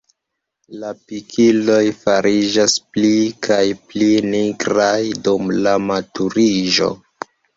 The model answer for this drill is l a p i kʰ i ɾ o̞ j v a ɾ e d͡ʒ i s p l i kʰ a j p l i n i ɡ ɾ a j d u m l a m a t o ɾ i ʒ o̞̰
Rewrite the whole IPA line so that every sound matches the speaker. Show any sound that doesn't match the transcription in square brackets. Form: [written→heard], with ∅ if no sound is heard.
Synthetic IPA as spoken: l a p i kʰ i [ɾ→l] o̞ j [v→f] a ɾ [e→i] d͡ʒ [i→a] s p l i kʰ a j p l i n i ɡ ɾ a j d u m l a m a t [o→u] ɾ i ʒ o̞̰